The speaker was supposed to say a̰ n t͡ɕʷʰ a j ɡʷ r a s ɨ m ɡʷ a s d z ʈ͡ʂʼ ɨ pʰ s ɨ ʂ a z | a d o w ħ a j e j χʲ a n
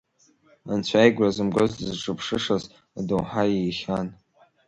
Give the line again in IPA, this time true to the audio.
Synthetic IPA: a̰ n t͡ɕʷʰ a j ɡʷ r a z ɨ m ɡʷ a z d z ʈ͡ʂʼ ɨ pʰ ʂ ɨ ʂ a z | a d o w ħ a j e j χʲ a n